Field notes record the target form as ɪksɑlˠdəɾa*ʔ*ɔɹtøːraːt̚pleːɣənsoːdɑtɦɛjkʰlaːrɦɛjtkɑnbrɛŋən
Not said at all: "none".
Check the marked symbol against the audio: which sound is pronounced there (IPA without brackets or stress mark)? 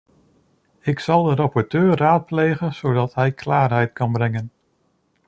p